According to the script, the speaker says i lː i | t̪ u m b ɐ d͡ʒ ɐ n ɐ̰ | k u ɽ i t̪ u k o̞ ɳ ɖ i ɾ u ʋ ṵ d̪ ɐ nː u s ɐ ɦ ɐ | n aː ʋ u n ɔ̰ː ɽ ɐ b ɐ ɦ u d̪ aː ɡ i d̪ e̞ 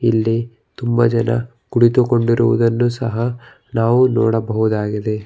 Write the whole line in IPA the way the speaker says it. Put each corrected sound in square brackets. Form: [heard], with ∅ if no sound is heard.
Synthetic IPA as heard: i lː i | t̪ u m b ɐ d͡ʒ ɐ n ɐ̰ | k u ɽ i t̪ u k o̞ ɳ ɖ i ɾ u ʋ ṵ d̪ ɐ nː u s ɐ ɦ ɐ | n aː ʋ u n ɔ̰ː ɽ ɐ b ɐ ɦ u d̪ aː ɡ i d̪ e̞